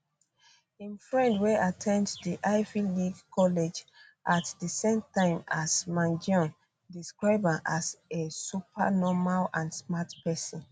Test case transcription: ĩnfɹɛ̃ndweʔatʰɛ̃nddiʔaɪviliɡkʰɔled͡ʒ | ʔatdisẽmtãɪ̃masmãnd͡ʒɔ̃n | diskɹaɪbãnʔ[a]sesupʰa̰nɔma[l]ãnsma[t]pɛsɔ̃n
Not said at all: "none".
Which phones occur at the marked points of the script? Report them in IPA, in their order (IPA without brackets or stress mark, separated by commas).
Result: a, l, t